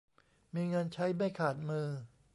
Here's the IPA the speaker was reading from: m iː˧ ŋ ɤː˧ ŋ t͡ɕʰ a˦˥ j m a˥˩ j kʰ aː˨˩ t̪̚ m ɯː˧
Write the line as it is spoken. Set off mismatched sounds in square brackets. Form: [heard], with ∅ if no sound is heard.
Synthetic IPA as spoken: m iː˧ ŋ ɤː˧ [n] t͡ɕʰ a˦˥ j m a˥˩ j kʰ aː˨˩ t̪̚ m ɯː˧